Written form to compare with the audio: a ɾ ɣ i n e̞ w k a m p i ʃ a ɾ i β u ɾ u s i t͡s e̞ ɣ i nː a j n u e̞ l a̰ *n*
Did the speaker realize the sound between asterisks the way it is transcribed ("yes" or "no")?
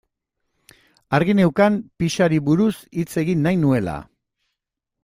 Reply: no